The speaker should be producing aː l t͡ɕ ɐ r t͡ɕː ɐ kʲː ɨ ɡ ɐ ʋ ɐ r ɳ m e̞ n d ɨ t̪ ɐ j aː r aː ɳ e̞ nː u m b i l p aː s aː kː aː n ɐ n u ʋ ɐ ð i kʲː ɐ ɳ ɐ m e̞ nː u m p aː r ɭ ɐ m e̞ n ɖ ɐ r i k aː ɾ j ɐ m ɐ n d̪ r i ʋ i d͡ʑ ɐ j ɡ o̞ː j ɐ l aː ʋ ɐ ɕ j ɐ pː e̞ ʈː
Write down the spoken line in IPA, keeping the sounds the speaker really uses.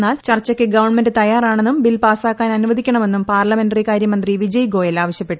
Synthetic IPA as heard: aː l t͡ɕ ɐ r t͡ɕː ɐ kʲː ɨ ɡ ɐ ʋ ɐ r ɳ m e̞ n d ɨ t̪ ɐ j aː r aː ɳ e̞ nː u m b i l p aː s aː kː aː n ɐ n u ʋ ɐ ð i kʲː ɐ ɳ ɐ m e̞ nː u m p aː r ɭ ɐ m e̞ n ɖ ɐ r i k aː ɾ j ɐ m ɐ n d̪ r i ʋ i d͡ʑ ɐ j ɡ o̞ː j ɐ l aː ʋ ɐ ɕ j ɐ pː e̞ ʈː